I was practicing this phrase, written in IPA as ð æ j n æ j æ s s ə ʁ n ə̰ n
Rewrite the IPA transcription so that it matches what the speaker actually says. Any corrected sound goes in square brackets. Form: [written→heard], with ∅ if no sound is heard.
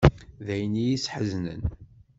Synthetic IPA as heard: ð æ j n [æ→i] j [æ→i] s [s→ħ] ə [ʁ→z] n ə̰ n